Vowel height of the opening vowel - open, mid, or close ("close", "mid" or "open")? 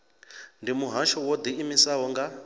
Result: close